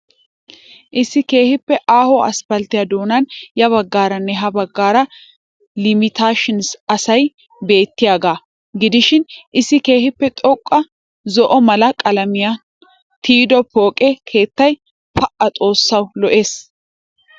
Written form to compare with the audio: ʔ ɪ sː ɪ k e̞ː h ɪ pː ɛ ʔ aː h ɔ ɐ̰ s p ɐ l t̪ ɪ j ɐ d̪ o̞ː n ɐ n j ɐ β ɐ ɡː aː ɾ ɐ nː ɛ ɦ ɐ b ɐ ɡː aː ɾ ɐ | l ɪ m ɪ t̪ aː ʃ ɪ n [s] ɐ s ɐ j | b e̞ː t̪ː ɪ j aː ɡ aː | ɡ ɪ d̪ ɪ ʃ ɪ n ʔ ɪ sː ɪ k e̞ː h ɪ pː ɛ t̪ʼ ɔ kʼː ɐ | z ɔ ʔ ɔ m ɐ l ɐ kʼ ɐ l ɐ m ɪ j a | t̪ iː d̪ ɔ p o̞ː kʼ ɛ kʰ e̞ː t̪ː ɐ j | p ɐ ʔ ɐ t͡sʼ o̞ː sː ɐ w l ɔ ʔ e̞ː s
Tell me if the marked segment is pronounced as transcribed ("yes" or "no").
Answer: yes